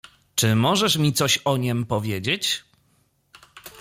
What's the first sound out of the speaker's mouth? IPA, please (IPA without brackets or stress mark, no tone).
t͡ʂ